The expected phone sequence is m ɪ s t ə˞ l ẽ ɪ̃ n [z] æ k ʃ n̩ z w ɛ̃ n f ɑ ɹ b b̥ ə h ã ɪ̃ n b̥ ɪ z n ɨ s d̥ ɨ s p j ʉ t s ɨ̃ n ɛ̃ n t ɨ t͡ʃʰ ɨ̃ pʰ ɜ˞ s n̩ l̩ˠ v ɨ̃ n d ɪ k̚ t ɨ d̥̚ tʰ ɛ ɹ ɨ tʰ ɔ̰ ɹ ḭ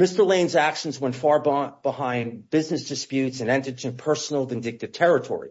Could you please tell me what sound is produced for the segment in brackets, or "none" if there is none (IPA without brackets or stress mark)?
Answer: z